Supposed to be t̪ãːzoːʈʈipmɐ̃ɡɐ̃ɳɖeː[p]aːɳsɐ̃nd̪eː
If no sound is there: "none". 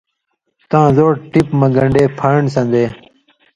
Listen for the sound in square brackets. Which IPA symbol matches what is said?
pʰ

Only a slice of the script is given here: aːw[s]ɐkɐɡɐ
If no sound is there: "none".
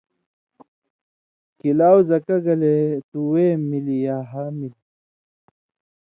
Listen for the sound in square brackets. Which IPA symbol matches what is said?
z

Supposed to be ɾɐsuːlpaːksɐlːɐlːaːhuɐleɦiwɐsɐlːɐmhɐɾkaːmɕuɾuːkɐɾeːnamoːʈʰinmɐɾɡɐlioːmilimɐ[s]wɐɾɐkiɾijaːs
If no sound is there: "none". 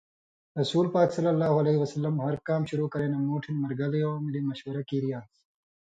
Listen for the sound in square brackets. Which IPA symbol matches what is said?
ʃ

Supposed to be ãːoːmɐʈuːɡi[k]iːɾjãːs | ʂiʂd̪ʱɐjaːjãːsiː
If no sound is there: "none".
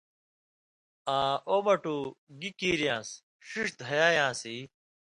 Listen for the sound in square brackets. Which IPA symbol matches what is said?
k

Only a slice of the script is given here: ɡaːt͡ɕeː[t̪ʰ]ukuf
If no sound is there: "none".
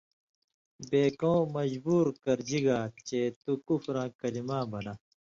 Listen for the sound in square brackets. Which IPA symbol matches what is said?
t̪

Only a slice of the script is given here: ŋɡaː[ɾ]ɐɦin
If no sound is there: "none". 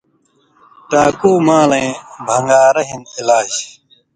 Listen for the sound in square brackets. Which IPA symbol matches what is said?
ɾ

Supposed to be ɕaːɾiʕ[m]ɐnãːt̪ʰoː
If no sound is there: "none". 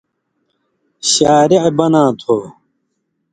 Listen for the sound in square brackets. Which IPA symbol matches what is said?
b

